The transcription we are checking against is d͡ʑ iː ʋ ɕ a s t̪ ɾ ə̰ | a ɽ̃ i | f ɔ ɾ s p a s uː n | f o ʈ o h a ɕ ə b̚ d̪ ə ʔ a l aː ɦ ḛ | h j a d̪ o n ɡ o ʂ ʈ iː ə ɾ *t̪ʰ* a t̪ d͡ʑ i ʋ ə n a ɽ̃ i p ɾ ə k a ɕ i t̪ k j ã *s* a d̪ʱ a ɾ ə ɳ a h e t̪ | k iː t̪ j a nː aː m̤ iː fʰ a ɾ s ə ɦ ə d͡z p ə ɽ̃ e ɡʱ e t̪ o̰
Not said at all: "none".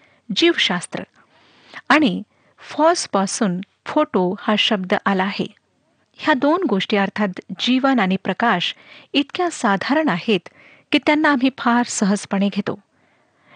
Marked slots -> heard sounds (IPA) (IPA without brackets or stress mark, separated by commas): t̪ʰ, s